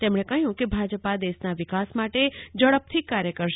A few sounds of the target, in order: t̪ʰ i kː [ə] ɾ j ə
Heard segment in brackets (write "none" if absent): a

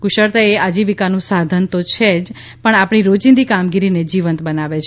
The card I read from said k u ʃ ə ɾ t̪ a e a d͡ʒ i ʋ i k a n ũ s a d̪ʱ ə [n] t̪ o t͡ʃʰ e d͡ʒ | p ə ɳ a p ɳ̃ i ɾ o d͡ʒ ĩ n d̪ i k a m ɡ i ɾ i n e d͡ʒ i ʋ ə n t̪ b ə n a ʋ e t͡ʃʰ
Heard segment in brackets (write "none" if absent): n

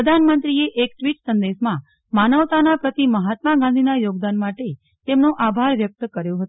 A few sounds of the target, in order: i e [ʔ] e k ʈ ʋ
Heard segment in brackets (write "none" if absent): ʔ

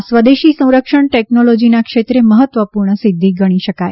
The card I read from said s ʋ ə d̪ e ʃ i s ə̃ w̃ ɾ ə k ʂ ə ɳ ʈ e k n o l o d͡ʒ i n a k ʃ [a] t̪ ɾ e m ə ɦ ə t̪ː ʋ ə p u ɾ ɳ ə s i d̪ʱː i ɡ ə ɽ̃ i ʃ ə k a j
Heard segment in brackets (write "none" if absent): e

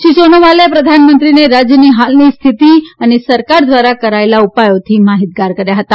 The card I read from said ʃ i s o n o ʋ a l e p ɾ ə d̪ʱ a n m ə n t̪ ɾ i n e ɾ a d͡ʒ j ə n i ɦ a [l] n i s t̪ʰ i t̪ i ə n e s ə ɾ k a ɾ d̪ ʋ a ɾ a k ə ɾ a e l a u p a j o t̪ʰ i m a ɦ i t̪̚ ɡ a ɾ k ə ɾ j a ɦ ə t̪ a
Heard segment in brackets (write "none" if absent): l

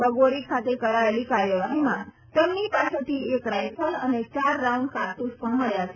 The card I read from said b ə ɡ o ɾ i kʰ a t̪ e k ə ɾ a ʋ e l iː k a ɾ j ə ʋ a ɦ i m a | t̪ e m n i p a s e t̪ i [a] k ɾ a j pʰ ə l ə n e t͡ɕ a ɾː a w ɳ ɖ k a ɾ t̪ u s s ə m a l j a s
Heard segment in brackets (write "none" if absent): e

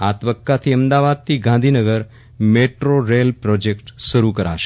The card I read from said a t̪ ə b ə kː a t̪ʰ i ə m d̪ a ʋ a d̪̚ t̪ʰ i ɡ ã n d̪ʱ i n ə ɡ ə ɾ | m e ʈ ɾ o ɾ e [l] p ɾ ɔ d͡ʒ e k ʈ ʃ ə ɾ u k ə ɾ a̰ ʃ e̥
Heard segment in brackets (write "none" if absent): l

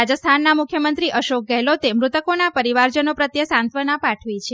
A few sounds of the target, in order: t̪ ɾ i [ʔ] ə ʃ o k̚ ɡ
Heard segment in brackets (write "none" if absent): ʔ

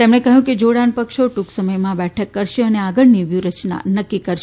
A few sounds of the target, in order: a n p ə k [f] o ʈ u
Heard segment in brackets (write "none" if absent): ʃ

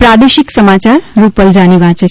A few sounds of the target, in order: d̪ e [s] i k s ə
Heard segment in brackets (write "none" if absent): ʃ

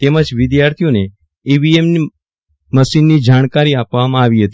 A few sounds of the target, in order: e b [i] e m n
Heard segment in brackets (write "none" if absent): i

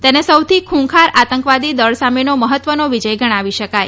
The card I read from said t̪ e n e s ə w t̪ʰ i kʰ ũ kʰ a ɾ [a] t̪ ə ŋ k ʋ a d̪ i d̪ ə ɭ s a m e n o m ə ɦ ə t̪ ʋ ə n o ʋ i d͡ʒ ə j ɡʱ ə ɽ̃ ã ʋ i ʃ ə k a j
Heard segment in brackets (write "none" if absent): a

